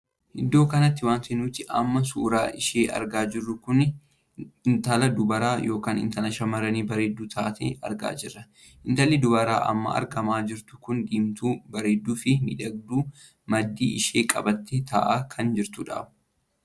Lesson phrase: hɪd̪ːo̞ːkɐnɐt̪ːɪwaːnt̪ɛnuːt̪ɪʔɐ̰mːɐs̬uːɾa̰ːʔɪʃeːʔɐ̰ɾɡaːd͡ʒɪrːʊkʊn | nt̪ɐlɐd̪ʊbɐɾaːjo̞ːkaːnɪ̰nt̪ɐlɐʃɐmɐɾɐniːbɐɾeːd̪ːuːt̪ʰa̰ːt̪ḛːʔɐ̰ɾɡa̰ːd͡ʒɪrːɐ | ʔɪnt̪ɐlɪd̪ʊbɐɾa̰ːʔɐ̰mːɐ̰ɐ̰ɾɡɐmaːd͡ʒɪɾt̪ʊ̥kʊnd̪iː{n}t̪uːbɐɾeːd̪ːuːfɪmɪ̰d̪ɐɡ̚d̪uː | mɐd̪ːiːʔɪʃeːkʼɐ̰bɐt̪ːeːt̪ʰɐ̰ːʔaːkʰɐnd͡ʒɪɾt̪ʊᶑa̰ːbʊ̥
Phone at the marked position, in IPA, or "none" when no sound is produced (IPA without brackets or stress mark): m